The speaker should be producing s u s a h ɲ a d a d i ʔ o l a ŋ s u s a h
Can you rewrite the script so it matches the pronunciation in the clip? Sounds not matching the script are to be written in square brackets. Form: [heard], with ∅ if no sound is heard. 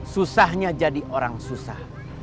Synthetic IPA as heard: s u s a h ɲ a [d͡ʒ] a d i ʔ o [ɾ] a ŋ s u s a h